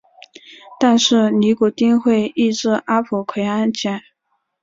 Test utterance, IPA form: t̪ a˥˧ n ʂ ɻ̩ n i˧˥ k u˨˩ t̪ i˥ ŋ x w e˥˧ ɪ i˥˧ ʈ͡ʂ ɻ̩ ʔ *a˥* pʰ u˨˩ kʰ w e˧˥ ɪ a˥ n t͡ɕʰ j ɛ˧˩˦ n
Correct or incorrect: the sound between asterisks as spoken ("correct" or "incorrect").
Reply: correct